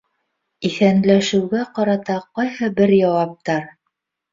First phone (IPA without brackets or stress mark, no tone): i